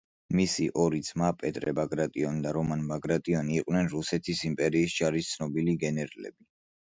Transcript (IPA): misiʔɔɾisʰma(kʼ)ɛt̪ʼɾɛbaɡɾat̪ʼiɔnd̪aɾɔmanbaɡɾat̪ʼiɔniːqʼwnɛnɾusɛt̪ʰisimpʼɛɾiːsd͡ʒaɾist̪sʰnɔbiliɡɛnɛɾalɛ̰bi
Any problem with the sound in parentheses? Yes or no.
yes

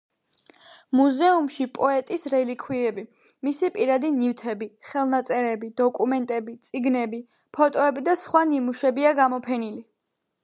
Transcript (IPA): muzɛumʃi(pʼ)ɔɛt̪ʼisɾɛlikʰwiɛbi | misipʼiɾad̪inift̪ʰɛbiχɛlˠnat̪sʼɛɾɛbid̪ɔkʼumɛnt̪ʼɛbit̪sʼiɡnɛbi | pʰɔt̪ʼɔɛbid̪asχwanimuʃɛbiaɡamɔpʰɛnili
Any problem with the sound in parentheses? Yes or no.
no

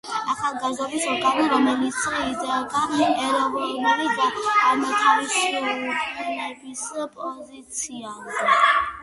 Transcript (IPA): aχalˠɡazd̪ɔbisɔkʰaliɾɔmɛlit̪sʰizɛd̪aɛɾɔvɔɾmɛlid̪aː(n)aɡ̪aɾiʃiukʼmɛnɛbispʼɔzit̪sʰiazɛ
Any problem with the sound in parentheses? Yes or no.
yes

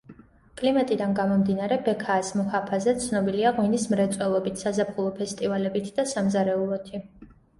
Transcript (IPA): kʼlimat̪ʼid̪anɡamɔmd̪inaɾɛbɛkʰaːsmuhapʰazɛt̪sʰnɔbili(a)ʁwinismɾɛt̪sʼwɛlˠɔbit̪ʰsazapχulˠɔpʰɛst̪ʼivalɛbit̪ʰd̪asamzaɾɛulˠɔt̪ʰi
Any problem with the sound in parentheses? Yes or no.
no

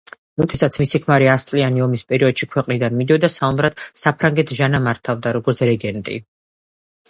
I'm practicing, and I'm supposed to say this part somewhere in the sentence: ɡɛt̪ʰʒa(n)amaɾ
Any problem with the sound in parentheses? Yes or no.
no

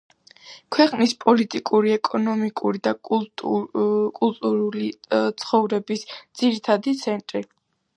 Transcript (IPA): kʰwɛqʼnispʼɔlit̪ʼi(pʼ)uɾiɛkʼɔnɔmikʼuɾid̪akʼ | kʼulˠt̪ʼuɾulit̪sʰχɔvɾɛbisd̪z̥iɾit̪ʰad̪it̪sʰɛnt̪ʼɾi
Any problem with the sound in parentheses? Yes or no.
yes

